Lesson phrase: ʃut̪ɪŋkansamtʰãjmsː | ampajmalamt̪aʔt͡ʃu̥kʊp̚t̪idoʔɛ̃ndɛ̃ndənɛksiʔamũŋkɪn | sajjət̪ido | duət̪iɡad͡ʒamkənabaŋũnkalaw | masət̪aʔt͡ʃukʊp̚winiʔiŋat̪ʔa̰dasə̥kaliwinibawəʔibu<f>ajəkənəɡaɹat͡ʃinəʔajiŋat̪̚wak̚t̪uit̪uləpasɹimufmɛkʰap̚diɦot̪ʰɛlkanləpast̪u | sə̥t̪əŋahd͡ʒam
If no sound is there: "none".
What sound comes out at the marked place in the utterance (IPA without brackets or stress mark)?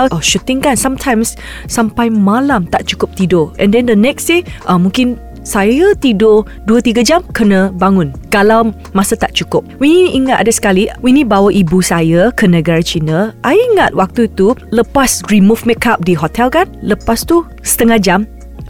s